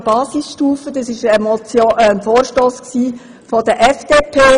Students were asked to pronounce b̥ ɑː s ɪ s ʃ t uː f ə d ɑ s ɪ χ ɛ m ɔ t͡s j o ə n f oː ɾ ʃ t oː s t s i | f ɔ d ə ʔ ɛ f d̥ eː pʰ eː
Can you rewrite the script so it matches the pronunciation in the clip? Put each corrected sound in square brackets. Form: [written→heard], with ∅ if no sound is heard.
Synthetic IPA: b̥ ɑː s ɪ s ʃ t uː f ə d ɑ s ɪ [χ→ʃ] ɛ m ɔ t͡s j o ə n f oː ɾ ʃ t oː s [t→k] s [i→iː] | f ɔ d ə ʔ ɛ f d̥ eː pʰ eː